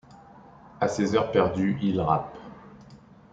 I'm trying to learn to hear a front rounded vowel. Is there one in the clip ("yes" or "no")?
yes